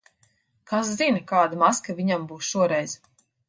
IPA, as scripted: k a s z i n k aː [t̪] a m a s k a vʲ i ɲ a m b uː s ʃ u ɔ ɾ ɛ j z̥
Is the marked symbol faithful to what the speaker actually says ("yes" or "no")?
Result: no